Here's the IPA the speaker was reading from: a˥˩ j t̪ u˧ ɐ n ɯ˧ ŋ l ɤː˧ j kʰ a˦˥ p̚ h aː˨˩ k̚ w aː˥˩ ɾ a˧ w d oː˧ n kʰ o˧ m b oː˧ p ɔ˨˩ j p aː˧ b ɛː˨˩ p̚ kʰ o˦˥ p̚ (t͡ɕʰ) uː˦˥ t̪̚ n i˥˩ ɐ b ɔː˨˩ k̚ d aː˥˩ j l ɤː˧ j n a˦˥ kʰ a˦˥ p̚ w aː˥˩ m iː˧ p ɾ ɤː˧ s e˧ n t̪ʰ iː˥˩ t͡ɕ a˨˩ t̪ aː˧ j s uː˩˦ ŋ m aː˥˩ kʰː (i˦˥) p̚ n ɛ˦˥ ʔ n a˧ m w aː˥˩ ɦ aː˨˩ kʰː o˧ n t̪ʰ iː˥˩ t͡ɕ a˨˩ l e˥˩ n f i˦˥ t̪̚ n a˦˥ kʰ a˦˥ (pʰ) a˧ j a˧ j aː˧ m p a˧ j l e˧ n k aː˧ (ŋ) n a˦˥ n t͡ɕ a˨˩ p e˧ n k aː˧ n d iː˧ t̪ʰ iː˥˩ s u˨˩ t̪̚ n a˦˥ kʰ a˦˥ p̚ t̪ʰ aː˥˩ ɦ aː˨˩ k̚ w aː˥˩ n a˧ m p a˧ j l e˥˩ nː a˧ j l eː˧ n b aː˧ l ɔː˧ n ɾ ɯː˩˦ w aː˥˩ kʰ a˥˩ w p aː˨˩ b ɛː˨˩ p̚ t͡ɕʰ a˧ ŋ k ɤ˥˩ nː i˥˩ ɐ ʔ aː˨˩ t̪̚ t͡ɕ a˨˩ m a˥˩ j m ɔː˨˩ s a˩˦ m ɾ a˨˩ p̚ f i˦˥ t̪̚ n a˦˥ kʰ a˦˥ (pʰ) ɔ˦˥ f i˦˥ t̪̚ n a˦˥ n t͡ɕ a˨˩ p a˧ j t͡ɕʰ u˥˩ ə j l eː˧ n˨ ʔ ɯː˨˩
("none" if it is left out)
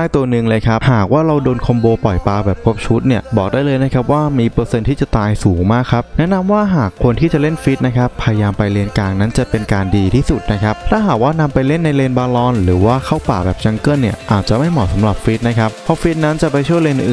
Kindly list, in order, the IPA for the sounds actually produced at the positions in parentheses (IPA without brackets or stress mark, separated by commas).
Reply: t͡ɕʰ, a˦˥, pʰ, ŋ, pʰ